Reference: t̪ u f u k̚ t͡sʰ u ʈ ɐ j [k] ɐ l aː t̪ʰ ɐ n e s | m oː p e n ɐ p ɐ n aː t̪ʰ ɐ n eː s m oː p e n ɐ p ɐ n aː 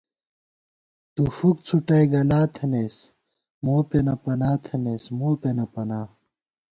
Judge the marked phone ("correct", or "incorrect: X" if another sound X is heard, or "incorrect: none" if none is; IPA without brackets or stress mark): incorrect: ɡ